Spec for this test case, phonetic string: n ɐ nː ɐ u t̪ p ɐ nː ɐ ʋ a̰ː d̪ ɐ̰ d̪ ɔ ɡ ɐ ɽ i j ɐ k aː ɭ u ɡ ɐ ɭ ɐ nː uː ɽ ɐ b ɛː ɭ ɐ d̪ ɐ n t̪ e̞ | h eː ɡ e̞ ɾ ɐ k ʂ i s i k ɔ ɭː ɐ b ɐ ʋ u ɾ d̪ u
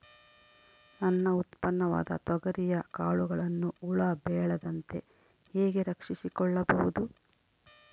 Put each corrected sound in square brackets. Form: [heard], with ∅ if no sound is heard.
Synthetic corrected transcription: n ɐ nː ɐ u t̪ p ɐ nː ɐ ʋ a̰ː d̪ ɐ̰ [t̪] ɔ ɡ ɐ [ɾ] i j ɐ k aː ɭ u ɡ ɐ ɭ ɐ nː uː [ɭ] ɐ b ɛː ɭ ɐ d̪ ɐ n t̪ e̞ | h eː ɡ e̞ ɾ ɐ k ʂ i s i k ɔ ɭː ɐ b ɐ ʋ u [∅] d̪ u